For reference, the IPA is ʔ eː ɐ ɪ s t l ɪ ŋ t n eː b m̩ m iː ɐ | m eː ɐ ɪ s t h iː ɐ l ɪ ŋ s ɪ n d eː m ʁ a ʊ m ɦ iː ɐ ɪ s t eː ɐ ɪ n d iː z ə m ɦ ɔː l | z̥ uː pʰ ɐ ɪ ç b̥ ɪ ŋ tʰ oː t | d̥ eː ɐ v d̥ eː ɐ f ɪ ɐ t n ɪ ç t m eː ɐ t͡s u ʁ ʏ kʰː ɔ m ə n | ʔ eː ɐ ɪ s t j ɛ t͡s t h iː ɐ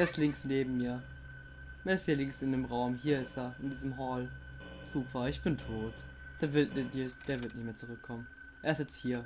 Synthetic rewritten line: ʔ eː ɐ ɪ s t l ɪ ŋ s n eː b m̩ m iː ɐ | m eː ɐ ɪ s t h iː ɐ l ɪ ŋ s ɪ n d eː m ʁ a ʊ m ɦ iː ɐ ɪ s t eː ɐ ɪ n d iː z ə m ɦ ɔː l | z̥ uː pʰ ɐ ɪ ç b̥ ɪ n tʰ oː t | d̥ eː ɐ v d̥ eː ɐ v ɪ ɐ t n ɪ ç t m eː ɐ t͡s u ʁ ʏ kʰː ɔ m ə n | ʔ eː ɐ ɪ s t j ɛ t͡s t h iː ɐ